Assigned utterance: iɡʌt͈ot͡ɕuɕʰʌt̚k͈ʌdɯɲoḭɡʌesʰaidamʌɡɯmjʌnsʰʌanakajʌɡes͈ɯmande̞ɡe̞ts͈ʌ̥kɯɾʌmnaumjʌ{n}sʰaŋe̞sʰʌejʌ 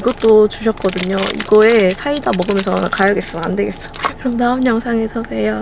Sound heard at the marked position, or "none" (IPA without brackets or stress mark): ŋ